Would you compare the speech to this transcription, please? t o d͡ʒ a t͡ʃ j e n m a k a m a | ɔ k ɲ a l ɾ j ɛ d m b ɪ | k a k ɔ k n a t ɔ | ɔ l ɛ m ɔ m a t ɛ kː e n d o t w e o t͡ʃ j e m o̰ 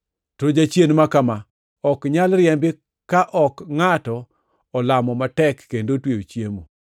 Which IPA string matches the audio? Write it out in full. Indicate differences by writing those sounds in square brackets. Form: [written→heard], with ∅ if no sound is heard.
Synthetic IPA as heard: t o d͡ʒ a t͡ʃ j e n m a k a m a | ɔ k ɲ a l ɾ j ɛ [d→∅] m b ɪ | k a [k→ʔ] ɔ k [n→ŋ] a t ɔ | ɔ l [ɛ→a] m ɔ m a t ɛ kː e n d o t w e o t͡ʃ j e m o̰